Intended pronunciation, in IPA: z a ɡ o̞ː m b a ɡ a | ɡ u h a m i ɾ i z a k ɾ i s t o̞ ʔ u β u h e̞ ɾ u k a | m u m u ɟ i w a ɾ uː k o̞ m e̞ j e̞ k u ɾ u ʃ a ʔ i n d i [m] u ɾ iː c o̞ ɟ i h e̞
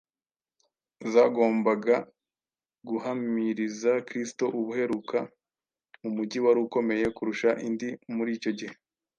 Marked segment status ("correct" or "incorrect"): correct